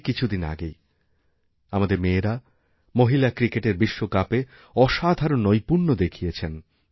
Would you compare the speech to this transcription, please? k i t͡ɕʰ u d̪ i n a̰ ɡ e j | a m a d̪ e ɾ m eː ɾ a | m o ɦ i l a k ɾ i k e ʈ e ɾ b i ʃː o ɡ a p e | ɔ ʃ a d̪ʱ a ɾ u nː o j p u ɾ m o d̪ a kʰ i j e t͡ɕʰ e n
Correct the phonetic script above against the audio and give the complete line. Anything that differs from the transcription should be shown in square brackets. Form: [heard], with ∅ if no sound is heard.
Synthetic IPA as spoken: k i t͡ɕʰ u d̪ i n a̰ ɡ e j | a m a d̪ e ɾ m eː ɾ a | m o ɦ i l a k ɾ i k e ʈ e ɾ b i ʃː o [k] a p e | ɔ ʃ a d̪ʱ a ɾ [o] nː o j p u ɾ [n] o d̪ [e] kʰ i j e t͡ɕʰ e n